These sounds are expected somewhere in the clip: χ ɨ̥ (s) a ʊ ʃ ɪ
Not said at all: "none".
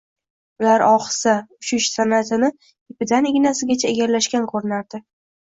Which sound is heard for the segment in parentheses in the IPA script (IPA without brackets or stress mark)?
s